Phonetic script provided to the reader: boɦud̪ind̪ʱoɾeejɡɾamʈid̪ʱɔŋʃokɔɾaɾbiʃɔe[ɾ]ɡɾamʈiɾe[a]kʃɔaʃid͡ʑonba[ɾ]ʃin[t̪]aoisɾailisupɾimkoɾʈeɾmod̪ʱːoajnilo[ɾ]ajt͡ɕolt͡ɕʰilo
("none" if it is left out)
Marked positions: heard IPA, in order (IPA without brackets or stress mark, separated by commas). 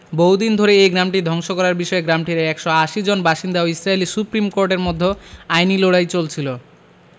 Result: none, ɛ, none, d̪, ɽ